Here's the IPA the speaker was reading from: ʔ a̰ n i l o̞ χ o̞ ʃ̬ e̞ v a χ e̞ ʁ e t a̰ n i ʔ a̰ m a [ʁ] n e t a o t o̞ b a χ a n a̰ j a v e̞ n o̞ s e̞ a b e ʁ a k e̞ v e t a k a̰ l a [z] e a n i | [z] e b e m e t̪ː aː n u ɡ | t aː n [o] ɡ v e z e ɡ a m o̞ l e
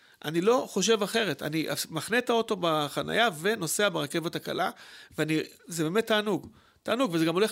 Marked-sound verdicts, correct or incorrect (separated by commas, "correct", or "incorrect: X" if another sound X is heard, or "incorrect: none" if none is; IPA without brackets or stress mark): incorrect: χ, incorrect: v, correct, incorrect: u